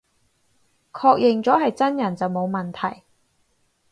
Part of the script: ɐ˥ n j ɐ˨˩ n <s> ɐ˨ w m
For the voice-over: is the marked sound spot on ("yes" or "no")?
no